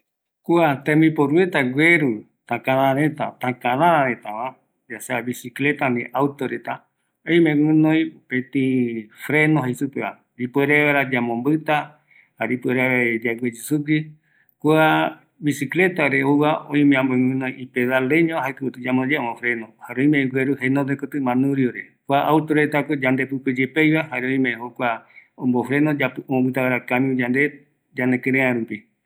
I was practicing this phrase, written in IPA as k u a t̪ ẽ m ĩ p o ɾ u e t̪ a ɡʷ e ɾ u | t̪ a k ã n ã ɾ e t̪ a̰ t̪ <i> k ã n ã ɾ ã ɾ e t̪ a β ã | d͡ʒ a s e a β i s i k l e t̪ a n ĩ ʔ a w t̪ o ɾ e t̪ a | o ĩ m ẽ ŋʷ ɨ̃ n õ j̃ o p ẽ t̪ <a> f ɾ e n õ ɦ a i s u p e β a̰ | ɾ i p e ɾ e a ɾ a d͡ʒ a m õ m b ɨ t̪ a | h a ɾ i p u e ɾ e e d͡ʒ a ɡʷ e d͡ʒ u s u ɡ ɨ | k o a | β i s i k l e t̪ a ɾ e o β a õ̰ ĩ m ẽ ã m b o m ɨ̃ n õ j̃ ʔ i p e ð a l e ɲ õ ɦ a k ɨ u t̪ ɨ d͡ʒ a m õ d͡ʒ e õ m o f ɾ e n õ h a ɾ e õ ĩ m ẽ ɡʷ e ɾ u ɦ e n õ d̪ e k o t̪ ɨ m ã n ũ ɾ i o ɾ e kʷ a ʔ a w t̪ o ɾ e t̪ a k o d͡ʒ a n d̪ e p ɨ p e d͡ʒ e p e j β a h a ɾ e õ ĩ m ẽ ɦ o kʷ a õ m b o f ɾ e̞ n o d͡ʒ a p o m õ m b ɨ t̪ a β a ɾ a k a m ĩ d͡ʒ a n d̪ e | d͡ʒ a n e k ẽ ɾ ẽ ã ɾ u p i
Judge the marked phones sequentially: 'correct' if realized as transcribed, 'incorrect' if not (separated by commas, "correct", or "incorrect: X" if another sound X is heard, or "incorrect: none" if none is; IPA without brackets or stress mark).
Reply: incorrect: a, incorrect: i